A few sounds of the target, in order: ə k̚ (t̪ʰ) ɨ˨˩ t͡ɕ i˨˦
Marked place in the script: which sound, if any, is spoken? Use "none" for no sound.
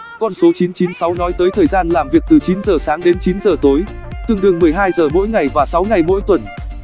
t̪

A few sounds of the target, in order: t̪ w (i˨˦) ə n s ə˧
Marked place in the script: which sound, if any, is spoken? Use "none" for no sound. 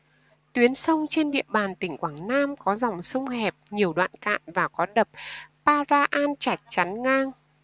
i˨˦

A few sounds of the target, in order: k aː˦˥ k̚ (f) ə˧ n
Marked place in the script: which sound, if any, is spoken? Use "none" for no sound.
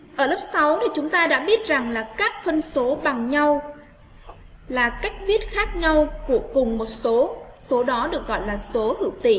f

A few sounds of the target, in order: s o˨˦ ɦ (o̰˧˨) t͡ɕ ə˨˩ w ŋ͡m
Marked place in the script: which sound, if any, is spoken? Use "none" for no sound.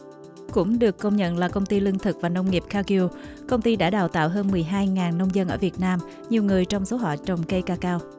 ɔ̰˧˨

